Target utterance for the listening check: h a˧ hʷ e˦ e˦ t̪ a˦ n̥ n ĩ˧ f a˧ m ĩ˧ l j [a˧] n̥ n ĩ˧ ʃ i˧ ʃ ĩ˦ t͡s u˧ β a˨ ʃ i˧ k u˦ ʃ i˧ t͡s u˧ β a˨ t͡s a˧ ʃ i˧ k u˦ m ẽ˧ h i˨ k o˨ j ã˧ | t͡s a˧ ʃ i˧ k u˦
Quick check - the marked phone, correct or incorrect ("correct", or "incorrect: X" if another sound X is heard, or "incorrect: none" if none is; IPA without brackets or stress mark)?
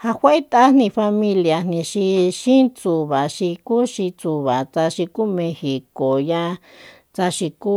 correct